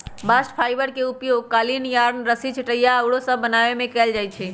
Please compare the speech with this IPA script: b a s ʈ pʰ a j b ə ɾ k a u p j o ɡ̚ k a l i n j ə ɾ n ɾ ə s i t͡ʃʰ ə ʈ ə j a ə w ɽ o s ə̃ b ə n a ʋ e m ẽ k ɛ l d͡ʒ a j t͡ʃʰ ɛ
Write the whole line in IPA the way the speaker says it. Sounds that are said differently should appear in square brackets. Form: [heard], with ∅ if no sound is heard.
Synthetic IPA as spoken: b a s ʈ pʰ a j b ə ɾ k [e] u p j o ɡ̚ k a l i n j [a] ɾ n ɾ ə s i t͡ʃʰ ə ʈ ə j a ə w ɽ o s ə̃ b ə n a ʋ e m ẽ k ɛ l d͡ʒ a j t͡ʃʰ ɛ